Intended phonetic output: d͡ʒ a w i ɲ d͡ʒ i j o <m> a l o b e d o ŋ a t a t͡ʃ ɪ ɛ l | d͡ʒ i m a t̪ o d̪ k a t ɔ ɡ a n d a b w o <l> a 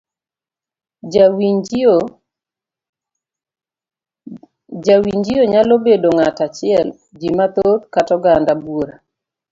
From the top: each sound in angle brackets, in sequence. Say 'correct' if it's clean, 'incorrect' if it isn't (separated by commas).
incorrect, incorrect